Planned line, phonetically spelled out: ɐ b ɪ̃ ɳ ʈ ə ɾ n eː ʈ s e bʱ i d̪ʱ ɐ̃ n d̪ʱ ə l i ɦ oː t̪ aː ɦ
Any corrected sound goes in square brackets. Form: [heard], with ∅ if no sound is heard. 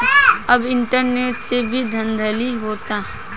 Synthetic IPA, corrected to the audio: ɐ b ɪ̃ ɳ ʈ ə ɾ n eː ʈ s e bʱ i d̪ʱ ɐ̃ n d̪ʱ ə l i ɦ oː t̪ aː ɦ